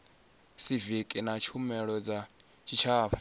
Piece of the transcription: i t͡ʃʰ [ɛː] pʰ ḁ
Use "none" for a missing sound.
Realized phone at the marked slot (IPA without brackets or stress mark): aː